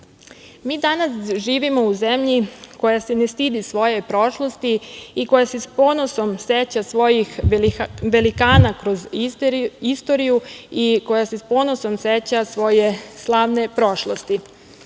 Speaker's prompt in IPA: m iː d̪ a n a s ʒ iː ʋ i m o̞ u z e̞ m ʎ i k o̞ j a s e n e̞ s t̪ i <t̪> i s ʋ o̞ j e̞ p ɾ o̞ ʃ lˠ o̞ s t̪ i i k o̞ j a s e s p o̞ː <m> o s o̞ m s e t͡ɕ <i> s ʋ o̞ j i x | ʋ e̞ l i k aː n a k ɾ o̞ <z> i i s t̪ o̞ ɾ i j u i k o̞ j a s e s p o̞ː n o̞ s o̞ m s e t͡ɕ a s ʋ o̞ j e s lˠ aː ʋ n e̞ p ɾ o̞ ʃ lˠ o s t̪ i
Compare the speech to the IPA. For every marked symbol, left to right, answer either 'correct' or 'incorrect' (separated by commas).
incorrect, incorrect, incorrect, correct